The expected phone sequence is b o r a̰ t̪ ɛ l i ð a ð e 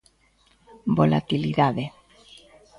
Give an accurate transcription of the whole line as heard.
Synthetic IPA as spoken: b o l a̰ t̪ i l i ð a ð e